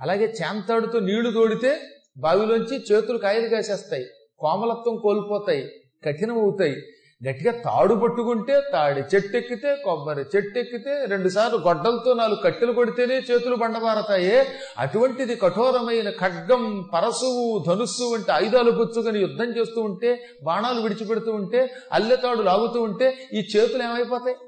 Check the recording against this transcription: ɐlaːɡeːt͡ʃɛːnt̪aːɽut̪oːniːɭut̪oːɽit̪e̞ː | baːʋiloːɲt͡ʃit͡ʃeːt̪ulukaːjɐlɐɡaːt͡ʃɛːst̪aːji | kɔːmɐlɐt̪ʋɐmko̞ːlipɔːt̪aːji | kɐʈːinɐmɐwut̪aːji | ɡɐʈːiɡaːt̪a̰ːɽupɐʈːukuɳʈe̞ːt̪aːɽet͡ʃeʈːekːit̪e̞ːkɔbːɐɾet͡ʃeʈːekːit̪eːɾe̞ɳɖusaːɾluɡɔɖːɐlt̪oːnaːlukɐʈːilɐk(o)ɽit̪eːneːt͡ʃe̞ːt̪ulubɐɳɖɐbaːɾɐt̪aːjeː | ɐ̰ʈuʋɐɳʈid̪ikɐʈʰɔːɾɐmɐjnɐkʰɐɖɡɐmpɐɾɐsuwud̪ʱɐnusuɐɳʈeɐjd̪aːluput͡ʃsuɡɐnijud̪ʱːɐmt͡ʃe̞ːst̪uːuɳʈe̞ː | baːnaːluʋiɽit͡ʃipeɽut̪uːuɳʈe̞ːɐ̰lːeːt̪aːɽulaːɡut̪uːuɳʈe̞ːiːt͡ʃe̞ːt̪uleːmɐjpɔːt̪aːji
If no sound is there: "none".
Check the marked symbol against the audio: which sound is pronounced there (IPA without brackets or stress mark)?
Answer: o